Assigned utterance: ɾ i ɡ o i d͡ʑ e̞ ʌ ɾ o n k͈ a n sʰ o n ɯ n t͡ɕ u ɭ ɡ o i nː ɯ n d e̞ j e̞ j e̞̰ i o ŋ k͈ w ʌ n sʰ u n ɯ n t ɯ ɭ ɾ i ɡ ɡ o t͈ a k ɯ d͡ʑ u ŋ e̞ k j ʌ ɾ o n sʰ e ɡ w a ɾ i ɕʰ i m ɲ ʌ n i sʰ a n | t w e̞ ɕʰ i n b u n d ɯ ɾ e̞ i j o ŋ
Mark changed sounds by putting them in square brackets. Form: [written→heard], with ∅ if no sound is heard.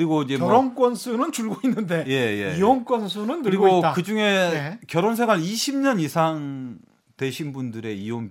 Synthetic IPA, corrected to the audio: ɾ i ɡ o i d͡ʑ e̞ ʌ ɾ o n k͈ [a→ʌ] n sʰ [o→u] n ɯ n t͡ɕ u ɭ ɡ o i nː ɯ n d e̞ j e̞ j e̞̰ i o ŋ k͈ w ʌ n sʰ u n ɯ n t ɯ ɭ ɾ i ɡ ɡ o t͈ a k ɯ d͡ʑ u ŋ e̞ k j ʌ ɾ o n sʰ e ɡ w a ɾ i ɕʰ i m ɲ ʌ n i sʰ a [n→ŋ] | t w e̞ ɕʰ i n b u n d ɯ ɾ e̞ i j o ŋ